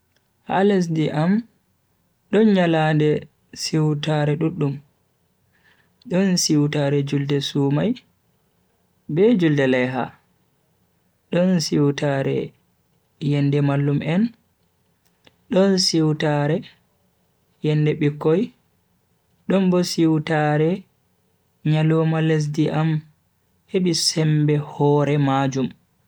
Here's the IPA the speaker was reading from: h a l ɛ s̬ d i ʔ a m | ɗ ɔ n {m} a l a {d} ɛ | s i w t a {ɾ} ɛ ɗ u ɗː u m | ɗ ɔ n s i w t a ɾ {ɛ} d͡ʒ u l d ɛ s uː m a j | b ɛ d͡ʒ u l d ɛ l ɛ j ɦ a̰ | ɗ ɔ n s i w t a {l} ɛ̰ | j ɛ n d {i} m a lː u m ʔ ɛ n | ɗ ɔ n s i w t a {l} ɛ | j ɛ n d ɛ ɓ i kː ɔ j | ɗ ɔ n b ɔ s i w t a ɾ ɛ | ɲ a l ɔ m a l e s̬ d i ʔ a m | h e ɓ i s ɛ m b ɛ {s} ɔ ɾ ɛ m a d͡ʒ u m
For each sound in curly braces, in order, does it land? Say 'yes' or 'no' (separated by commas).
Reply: no, yes, yes, yes, no, no, no, no